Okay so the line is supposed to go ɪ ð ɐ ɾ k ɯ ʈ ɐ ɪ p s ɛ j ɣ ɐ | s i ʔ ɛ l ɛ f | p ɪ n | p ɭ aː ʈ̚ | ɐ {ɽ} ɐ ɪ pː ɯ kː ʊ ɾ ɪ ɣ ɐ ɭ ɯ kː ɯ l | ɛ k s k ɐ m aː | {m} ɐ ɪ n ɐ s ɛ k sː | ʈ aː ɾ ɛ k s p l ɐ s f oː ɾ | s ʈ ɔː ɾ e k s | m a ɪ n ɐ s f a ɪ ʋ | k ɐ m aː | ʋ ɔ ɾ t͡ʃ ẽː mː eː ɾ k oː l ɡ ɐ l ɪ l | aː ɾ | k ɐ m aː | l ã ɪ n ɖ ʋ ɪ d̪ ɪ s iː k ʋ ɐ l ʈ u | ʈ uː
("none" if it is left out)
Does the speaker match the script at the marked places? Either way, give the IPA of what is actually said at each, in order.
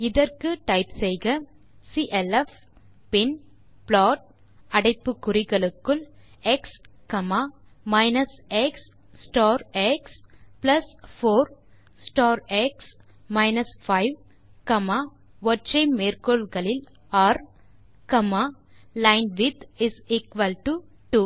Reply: ɽ, m

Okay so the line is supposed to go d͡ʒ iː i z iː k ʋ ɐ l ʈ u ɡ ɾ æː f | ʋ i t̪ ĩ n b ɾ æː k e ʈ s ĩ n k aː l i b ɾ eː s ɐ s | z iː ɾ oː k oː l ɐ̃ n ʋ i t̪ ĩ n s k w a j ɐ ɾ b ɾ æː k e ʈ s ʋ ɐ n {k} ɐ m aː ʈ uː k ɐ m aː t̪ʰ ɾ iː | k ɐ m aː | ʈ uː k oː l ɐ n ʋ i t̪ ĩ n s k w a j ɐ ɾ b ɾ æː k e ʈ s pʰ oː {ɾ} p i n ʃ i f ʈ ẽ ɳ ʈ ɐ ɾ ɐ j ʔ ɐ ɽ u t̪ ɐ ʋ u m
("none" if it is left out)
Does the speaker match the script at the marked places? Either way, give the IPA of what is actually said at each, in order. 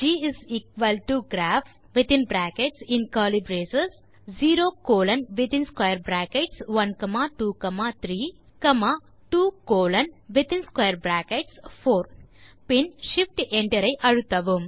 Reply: k, ɾ

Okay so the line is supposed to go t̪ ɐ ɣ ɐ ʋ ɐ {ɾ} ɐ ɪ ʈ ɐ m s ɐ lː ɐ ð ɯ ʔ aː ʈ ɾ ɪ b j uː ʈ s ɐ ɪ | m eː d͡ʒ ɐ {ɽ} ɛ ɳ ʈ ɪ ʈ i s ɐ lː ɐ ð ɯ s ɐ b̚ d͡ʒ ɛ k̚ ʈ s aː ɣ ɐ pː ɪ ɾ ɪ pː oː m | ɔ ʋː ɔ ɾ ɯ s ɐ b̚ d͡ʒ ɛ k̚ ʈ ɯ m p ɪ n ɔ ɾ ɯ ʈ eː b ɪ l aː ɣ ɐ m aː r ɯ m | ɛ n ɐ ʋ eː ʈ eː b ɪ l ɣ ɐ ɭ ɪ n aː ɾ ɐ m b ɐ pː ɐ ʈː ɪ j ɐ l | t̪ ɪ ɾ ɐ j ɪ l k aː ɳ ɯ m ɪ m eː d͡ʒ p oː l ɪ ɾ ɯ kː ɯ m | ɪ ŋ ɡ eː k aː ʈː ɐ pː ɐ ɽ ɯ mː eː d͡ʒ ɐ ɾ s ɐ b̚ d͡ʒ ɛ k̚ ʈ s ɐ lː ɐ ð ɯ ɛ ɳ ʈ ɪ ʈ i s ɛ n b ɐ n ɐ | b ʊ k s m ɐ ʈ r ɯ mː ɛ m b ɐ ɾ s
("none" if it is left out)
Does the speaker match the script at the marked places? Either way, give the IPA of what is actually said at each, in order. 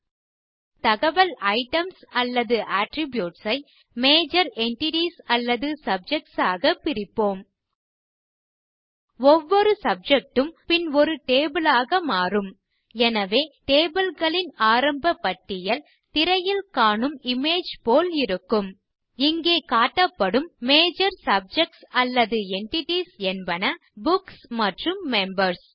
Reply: l, ɾ

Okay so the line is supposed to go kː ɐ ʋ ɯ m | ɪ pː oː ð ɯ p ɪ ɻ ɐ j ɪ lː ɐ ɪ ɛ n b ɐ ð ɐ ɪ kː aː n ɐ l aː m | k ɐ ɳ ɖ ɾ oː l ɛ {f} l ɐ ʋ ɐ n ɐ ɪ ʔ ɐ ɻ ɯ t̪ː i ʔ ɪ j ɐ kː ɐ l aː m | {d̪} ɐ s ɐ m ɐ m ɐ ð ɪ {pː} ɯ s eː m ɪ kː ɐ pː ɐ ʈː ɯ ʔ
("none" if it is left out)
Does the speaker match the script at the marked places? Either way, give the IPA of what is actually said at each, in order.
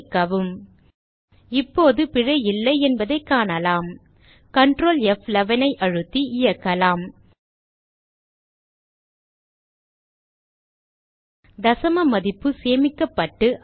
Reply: f, d̪, pː

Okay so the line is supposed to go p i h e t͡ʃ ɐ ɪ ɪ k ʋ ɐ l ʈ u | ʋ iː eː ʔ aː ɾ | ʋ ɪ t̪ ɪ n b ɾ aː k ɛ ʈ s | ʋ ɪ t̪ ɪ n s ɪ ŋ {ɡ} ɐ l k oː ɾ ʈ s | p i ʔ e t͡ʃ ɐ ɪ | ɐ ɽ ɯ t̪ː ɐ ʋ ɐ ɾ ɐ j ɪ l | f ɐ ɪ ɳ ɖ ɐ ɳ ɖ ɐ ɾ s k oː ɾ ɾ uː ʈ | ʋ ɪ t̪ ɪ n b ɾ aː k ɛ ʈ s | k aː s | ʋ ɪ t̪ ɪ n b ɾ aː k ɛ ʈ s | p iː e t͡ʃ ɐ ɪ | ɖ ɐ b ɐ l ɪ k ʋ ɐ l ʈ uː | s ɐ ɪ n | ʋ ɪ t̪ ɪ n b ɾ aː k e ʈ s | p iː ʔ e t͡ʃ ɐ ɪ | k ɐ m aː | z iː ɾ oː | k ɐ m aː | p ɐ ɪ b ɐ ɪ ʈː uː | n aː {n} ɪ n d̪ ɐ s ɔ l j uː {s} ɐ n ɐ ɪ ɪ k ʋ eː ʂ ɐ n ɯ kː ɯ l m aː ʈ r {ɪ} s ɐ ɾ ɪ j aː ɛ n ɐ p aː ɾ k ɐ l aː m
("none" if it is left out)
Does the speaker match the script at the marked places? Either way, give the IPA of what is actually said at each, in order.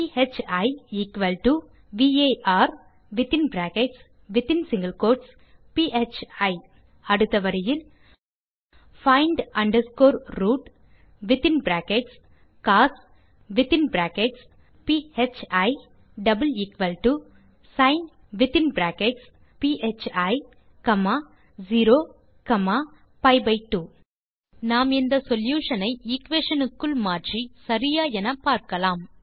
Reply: ɡ, m, ʂ, i

